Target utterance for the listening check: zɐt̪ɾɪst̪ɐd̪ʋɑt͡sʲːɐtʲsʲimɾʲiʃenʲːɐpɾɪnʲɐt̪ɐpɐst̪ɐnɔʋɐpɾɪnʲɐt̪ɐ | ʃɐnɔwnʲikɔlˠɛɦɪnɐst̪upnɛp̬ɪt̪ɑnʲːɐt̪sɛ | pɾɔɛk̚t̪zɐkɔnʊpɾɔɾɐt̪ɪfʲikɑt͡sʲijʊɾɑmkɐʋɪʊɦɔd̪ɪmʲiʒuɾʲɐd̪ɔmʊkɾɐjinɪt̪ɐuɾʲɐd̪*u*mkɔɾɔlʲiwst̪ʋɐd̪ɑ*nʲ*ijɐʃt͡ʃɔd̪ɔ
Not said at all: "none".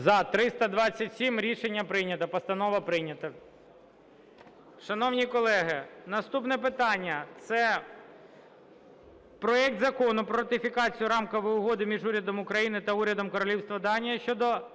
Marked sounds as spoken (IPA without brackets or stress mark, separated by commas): ɔ, nʲ